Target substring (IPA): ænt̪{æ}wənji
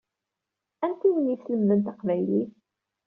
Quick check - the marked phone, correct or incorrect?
incorrect